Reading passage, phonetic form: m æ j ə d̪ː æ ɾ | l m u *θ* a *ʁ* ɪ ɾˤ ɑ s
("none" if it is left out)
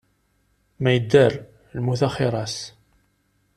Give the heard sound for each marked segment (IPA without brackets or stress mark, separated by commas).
θ, χ